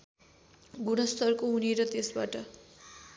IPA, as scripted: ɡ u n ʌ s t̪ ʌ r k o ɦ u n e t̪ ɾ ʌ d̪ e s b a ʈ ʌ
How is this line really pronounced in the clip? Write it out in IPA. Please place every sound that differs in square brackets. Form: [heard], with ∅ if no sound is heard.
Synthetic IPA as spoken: ɡ u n ʌ s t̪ ʌ r k o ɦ u n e [∅] ɾ ʌ [t̪] e s b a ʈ ʌ